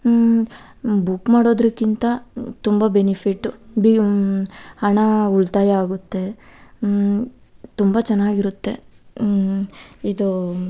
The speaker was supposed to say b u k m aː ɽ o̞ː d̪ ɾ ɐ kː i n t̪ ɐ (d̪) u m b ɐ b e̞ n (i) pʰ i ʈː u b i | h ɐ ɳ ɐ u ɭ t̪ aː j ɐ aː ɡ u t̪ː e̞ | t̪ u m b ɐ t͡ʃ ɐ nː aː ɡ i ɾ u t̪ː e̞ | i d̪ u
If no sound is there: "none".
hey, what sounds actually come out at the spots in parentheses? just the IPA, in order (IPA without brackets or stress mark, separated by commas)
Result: t̪, i